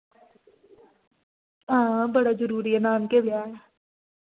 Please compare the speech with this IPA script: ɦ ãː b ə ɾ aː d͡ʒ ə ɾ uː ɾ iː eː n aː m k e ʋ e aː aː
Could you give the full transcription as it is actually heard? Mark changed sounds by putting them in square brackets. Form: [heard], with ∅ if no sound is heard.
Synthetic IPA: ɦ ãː b ə [ɽ] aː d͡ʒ ə ɾ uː ɾ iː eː n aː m k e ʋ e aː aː